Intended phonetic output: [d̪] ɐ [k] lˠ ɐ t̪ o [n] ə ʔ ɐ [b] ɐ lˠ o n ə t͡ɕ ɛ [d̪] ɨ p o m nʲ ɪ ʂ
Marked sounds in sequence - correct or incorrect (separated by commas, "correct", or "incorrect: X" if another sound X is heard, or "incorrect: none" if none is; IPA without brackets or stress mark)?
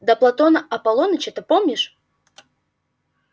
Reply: correct, incorrect: p, correct, incorrect: p, incorrect: t̪